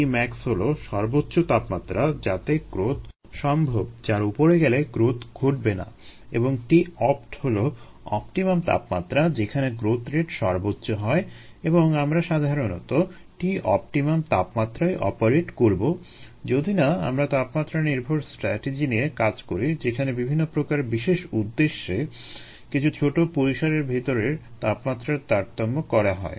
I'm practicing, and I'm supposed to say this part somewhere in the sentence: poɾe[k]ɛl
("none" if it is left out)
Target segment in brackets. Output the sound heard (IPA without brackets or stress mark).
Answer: ɡ